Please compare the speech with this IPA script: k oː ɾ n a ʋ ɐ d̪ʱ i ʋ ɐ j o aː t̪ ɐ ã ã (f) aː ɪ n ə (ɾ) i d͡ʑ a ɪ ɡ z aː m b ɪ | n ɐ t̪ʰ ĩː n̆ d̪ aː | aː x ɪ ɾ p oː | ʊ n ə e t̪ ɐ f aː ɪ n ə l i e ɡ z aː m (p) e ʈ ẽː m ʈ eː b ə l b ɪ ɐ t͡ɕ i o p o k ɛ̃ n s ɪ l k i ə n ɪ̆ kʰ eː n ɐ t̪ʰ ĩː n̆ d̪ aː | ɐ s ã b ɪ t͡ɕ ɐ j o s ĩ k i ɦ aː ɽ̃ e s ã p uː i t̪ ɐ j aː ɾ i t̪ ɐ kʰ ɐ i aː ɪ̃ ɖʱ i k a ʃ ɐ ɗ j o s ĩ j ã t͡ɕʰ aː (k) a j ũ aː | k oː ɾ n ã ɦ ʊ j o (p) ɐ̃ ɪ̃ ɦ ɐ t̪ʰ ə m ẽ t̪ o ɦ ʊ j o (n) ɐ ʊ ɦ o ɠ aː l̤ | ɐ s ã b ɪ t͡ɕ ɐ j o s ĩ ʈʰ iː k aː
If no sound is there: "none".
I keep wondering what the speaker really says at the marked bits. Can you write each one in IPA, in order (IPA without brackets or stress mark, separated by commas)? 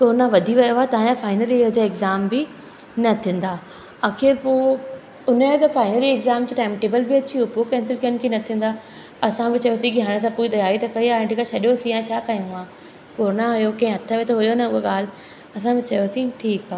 f, l, k, k, k, n